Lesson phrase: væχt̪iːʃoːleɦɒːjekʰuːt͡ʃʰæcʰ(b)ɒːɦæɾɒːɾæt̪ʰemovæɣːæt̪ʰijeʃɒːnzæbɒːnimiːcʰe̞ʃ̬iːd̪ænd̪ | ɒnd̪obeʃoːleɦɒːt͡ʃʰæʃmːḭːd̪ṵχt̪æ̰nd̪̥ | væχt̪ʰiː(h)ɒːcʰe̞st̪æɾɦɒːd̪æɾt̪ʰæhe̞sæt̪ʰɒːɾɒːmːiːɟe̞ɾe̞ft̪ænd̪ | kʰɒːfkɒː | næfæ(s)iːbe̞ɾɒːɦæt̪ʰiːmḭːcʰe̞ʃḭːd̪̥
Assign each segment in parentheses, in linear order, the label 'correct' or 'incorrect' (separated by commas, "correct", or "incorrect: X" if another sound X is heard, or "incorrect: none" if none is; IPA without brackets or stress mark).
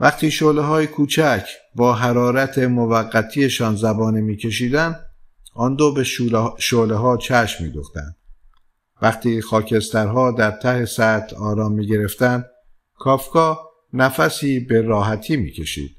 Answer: correct, incorrect: x, correct